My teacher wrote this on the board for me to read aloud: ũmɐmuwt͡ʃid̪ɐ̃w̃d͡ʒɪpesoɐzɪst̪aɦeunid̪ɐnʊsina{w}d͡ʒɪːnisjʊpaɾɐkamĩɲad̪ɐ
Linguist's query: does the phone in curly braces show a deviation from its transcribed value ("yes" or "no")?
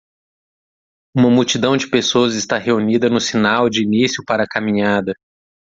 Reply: no